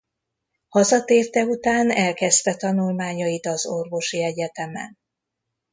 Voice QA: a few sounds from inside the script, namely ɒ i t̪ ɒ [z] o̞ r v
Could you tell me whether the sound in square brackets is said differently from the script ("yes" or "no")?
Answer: no